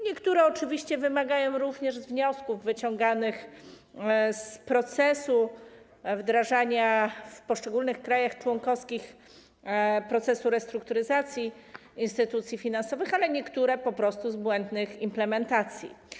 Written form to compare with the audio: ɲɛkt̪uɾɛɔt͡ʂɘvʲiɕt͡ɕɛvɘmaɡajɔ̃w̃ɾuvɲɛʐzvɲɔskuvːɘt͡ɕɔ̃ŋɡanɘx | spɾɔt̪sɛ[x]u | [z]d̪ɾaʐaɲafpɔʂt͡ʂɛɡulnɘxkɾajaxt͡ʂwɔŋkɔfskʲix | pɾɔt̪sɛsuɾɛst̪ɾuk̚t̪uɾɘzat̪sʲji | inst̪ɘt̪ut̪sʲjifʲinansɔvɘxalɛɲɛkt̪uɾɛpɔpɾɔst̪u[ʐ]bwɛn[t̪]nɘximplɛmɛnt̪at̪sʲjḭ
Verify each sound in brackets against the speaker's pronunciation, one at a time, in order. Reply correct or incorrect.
incorrect, incorrect, incorrect, incorrect

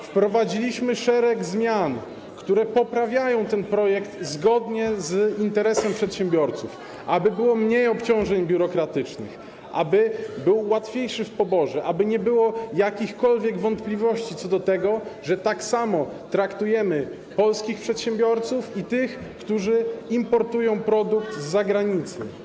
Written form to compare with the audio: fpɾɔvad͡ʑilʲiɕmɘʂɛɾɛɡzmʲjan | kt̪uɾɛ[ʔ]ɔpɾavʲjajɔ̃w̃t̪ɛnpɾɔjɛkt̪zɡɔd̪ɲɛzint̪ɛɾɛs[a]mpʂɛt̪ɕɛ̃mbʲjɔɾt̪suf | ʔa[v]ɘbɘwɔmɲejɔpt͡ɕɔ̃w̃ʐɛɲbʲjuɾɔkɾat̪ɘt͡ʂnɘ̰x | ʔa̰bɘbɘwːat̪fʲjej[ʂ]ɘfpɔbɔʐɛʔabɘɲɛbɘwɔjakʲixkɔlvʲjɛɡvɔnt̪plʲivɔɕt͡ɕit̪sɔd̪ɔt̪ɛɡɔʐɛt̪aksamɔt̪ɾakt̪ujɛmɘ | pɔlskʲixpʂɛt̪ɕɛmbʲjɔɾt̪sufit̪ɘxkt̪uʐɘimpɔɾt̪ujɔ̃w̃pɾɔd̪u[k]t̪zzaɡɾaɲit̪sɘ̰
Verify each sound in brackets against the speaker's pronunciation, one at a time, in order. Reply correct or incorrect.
incorrect, incorrect, incorrect, correct, correct

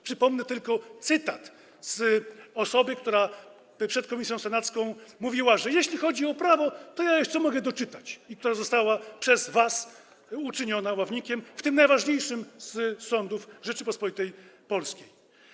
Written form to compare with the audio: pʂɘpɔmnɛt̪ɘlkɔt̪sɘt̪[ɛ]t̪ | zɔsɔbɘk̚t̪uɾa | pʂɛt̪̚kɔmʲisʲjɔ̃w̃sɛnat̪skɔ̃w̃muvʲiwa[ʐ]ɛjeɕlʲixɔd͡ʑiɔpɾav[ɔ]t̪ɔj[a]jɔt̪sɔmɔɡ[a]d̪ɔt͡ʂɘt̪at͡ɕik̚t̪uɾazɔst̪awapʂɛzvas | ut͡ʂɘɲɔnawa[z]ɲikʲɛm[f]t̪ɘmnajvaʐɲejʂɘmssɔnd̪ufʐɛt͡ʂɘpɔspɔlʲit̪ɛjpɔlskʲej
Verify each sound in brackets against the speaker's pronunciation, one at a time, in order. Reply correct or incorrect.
incorrect, correct, correct, correct, incorrect, incorrect, correct

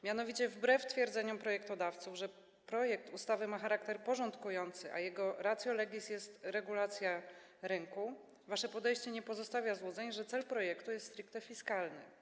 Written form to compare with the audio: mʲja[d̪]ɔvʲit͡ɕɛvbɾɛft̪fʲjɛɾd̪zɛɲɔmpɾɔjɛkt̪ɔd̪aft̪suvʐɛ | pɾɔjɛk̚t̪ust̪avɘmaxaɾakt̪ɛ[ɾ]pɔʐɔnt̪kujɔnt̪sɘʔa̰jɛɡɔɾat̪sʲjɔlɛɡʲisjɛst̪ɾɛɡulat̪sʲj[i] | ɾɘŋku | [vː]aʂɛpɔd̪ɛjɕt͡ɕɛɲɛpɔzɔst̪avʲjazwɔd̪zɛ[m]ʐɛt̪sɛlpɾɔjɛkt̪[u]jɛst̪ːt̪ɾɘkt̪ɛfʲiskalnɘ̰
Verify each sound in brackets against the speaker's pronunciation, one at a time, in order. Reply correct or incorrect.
incorrect, correct, incorrect, incorrect, incorrect, correct

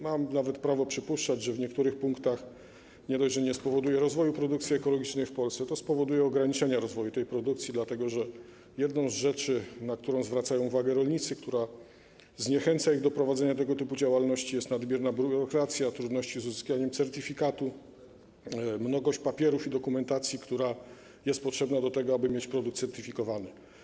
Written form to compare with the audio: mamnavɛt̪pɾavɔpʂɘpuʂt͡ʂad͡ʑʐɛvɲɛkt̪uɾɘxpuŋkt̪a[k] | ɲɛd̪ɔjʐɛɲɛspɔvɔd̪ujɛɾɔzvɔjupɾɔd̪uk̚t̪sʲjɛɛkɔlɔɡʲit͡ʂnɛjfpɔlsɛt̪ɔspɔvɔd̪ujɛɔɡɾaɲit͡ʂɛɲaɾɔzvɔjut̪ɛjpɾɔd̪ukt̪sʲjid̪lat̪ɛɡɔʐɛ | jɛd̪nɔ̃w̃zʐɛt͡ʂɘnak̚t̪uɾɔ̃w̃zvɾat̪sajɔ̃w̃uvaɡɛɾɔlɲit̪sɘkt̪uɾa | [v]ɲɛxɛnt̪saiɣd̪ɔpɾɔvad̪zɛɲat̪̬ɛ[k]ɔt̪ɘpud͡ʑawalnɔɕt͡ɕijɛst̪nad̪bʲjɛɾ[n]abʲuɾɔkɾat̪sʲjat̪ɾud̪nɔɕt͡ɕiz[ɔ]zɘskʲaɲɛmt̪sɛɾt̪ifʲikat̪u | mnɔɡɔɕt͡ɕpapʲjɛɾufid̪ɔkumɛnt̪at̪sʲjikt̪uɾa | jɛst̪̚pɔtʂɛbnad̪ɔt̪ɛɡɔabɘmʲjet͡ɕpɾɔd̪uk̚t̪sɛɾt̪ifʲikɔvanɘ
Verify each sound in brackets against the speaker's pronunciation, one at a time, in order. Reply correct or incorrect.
incorrect, incorrect, incorrect, correct, incorrect

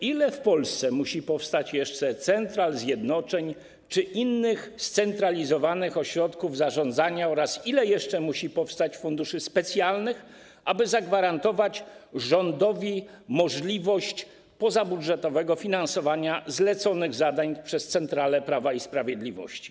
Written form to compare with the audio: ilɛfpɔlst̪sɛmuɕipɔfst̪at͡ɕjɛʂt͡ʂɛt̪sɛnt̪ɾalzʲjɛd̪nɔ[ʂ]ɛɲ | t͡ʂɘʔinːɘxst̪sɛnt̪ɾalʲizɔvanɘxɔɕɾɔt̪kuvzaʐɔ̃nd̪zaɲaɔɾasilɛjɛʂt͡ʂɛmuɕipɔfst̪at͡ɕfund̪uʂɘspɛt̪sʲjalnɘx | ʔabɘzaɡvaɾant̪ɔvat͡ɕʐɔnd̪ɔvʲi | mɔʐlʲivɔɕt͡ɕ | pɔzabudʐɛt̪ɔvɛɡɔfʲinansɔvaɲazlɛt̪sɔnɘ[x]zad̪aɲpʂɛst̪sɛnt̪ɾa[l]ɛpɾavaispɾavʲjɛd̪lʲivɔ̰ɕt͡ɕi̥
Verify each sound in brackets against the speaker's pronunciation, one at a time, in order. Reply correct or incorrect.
incorrect, incorrect, correct

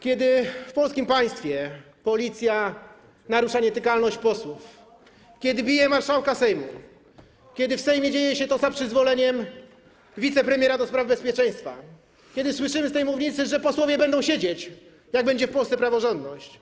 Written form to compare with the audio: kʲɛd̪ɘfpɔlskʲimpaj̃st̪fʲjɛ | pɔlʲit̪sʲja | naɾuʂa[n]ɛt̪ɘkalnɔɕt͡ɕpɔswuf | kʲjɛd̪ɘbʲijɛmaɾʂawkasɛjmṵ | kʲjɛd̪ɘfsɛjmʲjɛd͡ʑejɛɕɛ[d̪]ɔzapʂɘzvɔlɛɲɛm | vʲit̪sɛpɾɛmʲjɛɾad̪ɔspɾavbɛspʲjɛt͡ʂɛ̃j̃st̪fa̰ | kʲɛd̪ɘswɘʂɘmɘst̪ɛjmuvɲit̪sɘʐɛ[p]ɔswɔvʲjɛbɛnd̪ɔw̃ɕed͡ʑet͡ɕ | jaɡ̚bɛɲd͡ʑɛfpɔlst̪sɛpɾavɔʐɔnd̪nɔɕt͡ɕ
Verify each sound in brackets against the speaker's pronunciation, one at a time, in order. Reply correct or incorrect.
incorrect, incorrect, correct

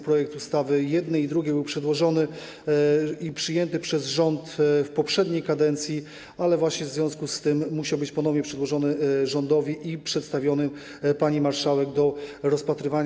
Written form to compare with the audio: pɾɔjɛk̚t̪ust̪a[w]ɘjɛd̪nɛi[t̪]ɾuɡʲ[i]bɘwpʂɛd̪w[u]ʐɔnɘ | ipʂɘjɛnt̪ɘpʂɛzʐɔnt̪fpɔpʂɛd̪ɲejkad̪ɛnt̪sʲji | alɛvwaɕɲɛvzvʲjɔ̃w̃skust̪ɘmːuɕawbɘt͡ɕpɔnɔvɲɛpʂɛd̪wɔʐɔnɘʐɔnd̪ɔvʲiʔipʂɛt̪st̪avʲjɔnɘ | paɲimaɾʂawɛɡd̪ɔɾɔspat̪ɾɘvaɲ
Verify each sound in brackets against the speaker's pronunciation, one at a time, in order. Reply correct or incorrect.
incorrect, incorrect, incorrect, incorrect

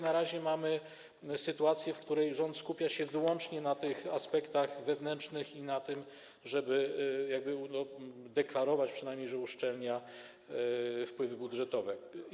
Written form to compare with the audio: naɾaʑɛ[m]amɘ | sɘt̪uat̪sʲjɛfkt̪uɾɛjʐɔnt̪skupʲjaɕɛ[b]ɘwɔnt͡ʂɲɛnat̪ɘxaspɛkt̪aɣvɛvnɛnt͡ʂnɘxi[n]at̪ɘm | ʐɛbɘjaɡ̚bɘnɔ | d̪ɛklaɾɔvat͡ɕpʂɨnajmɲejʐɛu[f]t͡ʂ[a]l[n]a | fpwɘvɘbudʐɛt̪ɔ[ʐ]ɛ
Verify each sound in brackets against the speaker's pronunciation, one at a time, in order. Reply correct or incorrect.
correct, incorrect, correct, incorrect, incorrect, incorrect, incorrect

